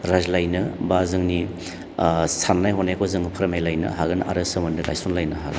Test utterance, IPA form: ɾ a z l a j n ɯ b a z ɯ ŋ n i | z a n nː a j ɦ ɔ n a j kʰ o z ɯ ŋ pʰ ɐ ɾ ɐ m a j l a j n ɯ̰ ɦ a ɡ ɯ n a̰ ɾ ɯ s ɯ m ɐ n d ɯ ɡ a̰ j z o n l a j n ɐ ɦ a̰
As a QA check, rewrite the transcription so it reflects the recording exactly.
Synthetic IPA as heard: ɾ a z l a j n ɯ b a z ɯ ŋ n i | s a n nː a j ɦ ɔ n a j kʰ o z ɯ ŋ pʰ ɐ ɾ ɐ m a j l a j n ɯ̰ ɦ a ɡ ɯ n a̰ ɾ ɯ s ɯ m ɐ n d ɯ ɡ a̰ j s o n l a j n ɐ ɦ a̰